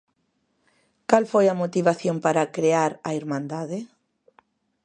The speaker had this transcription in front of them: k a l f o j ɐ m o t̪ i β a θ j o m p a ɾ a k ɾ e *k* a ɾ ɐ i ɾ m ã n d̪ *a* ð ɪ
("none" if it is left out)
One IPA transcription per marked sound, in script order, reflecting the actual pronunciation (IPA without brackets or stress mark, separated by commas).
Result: none, a